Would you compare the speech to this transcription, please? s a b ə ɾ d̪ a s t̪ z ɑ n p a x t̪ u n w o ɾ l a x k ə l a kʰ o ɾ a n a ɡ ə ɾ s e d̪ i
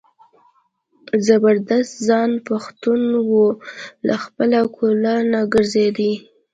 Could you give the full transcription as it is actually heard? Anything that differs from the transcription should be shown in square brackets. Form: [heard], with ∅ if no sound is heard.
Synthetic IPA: [z] a b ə ɾ d̪ a s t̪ z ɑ n p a x t̪ u n w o [∅] l a x [p] ə l a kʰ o [l] a n a ɡ ə ɾ [z] e d̪ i